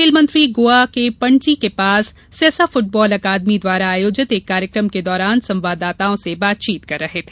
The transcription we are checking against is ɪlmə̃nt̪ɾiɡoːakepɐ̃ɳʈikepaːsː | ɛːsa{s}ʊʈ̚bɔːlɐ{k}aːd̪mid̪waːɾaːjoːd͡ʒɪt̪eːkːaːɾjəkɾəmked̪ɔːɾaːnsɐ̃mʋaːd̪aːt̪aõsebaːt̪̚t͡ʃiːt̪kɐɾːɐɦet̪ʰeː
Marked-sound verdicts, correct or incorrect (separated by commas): incorrect, correct